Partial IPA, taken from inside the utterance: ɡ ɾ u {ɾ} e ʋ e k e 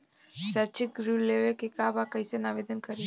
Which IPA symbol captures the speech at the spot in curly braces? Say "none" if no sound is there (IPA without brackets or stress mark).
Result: l